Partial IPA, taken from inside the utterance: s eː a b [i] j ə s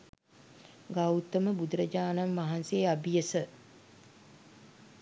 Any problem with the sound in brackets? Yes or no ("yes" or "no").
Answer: no